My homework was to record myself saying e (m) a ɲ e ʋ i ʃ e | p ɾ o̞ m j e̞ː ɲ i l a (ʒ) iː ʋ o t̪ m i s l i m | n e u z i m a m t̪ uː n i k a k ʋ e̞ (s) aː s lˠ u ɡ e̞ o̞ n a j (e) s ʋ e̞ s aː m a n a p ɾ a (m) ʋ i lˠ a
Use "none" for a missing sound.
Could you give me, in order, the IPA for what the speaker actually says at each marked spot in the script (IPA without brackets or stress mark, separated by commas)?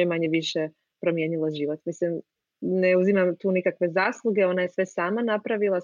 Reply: m, ʒ, z, e, none